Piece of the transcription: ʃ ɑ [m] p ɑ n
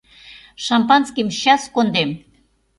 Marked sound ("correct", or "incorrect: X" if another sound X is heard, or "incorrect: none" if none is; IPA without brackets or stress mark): correct